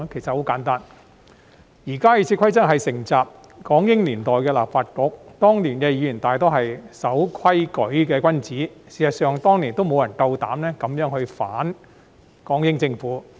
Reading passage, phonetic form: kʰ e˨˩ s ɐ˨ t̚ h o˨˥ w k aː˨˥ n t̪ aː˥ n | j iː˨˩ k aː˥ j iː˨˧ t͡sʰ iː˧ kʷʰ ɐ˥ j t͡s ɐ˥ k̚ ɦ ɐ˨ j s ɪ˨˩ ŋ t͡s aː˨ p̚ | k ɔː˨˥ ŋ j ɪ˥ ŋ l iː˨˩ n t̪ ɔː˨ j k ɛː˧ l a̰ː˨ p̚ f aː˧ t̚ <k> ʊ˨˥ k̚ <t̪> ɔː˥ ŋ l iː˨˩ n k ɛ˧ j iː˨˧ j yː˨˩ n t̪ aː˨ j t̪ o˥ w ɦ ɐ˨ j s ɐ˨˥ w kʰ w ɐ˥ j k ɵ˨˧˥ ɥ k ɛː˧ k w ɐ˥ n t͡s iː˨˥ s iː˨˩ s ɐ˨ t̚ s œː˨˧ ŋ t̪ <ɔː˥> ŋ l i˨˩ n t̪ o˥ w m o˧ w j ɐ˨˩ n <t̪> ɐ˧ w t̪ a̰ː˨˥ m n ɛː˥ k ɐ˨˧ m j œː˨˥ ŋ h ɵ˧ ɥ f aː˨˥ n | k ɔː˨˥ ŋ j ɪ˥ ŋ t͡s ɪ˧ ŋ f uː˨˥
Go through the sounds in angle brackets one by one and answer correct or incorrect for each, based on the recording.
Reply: correct, correct, correct, correct

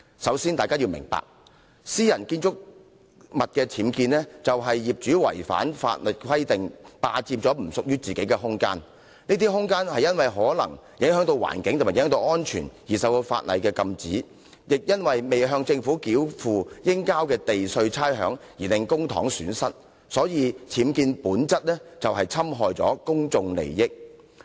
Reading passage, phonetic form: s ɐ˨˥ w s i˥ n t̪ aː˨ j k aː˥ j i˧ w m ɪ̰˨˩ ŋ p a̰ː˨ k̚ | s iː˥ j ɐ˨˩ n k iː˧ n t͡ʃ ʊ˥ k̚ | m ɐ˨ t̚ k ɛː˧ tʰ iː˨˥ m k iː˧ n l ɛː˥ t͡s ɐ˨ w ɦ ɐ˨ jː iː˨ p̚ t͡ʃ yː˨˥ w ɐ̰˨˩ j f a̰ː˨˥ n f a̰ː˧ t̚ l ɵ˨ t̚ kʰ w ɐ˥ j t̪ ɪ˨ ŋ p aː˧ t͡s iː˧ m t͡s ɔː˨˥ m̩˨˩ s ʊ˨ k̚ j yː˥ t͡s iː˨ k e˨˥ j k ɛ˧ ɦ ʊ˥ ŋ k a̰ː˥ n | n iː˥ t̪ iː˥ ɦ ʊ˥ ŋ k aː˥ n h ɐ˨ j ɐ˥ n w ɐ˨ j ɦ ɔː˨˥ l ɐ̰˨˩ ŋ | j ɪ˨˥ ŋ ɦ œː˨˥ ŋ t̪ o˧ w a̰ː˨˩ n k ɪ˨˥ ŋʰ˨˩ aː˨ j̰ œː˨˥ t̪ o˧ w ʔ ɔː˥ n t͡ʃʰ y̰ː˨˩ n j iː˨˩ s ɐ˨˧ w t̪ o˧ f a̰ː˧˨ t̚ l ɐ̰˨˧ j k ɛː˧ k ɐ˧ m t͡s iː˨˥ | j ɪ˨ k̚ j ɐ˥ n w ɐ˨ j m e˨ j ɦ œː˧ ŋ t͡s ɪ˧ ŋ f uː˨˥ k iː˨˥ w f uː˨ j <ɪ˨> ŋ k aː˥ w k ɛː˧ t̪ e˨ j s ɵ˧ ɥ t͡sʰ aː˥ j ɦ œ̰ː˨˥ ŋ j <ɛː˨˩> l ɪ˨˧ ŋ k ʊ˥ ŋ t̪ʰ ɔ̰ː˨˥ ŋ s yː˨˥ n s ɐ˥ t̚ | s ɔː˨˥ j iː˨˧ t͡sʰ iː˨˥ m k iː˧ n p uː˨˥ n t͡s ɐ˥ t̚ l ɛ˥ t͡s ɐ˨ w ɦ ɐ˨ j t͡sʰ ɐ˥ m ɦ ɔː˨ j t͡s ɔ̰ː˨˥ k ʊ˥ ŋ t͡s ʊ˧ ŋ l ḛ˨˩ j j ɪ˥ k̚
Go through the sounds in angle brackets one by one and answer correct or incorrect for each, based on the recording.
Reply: incorrect, incorrect

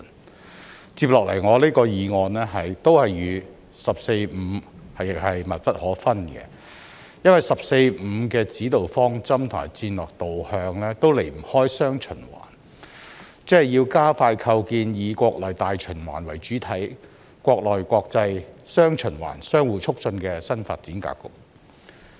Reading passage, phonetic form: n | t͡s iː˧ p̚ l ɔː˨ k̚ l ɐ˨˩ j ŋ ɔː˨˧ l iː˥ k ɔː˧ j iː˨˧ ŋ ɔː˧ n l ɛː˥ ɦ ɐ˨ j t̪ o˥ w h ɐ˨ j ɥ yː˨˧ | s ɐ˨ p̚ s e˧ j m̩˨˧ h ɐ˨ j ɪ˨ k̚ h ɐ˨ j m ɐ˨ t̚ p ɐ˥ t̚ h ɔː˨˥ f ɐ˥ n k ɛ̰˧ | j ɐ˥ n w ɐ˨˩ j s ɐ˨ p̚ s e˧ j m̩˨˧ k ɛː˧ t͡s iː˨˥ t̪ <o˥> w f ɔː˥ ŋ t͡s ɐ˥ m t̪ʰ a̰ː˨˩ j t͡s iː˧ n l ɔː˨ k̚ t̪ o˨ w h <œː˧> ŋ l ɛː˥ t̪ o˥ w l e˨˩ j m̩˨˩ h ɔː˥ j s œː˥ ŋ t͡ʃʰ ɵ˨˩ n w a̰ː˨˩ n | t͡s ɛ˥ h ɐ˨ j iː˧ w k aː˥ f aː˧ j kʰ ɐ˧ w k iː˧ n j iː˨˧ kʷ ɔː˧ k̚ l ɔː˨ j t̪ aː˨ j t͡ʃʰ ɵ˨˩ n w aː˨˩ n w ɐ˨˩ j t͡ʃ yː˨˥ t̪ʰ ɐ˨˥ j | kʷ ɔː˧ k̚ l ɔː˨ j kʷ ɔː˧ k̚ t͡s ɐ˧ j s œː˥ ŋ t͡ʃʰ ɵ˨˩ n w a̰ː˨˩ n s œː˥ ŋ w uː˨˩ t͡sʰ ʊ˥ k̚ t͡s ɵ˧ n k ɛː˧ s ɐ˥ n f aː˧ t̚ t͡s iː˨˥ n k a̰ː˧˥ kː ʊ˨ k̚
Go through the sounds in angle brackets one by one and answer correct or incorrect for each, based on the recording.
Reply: incorrect, correct

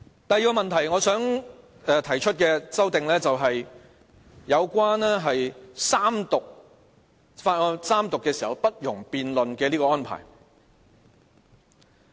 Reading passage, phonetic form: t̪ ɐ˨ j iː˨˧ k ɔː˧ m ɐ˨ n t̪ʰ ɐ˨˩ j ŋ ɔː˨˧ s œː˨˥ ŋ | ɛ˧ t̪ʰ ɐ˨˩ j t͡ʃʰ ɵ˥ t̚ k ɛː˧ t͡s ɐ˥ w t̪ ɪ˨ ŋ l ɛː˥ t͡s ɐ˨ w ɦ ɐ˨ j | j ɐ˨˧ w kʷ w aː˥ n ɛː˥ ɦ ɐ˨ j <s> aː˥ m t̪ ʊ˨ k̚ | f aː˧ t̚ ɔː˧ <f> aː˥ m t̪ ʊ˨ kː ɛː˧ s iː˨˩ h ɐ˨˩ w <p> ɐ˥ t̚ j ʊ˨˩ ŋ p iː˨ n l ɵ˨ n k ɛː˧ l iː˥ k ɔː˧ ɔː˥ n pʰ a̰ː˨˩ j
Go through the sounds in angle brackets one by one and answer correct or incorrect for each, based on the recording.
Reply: correct, incorrect, correct

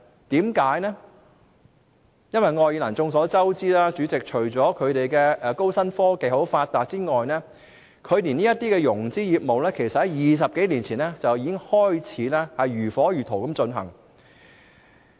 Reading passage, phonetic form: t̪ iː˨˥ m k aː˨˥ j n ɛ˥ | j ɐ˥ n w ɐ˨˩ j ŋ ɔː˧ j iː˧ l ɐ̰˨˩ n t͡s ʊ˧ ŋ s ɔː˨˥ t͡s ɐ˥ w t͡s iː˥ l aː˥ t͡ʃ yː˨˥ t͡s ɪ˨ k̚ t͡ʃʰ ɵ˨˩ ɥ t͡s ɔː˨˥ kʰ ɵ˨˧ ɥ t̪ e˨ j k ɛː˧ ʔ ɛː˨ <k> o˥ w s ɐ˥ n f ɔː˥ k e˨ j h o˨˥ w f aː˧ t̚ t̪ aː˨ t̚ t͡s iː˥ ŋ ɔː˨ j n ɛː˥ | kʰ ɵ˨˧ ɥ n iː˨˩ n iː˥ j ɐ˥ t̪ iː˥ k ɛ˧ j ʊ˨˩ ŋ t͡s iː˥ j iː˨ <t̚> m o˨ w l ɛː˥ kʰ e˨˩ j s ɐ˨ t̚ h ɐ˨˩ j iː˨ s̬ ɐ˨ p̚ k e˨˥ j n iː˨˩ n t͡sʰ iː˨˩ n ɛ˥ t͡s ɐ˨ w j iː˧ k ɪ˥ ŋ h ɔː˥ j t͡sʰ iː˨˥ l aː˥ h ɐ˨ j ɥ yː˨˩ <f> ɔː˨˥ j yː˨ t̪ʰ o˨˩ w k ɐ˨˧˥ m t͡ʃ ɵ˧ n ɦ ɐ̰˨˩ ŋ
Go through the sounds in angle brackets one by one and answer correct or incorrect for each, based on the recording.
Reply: correct, incorrect, correct

